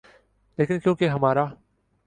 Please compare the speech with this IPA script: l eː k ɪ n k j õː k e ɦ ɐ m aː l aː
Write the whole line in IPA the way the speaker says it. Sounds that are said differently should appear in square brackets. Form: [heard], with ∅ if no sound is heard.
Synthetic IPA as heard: l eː k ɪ n k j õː k e ɦ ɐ m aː [ɾ] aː